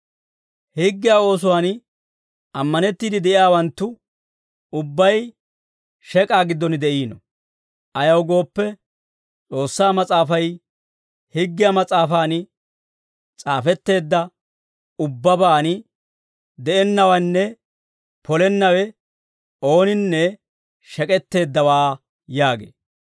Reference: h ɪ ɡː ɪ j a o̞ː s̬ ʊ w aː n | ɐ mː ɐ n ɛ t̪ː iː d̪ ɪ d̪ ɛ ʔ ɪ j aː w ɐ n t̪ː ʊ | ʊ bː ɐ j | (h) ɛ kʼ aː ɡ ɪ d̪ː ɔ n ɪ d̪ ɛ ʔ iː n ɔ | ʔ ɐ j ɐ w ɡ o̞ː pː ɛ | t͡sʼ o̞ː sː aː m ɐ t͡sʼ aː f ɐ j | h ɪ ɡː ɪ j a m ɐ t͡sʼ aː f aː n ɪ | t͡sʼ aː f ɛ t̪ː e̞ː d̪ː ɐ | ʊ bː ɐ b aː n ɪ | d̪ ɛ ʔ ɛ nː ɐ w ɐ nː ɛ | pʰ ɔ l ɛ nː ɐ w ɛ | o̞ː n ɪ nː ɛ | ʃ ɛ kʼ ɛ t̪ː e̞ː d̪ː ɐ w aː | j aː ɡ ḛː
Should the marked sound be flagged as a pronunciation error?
yes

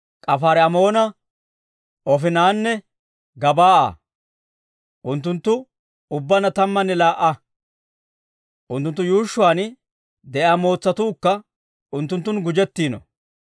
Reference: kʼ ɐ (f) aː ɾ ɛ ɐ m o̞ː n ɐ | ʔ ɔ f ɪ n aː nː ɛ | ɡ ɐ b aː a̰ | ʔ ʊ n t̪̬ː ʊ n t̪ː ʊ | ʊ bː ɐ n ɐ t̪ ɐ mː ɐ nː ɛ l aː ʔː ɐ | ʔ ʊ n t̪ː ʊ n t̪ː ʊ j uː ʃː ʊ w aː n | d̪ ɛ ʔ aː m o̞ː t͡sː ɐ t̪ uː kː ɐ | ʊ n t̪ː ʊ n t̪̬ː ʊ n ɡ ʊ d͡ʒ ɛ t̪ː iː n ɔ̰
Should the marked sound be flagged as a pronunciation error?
no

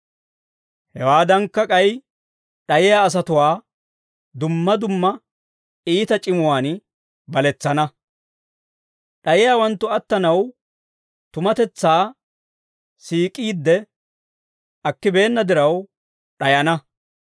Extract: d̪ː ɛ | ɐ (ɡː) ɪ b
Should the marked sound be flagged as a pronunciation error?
yes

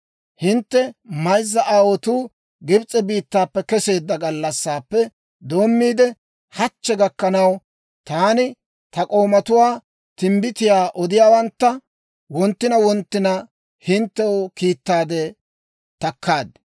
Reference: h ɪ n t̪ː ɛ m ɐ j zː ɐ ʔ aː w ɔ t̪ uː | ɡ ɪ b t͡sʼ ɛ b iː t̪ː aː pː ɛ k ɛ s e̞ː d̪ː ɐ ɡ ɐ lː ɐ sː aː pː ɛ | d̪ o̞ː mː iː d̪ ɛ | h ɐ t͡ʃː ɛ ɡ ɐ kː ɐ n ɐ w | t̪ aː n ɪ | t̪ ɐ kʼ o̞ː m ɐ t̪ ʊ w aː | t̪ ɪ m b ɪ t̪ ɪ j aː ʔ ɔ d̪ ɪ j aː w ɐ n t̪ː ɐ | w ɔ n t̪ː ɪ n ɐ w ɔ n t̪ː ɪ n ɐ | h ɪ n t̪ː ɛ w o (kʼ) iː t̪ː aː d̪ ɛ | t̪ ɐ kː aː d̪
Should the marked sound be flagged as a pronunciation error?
yes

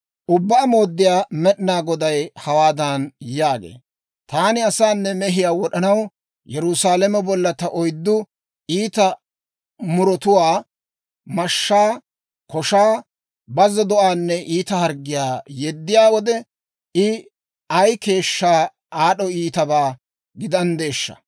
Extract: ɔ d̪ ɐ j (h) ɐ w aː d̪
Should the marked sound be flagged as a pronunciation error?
no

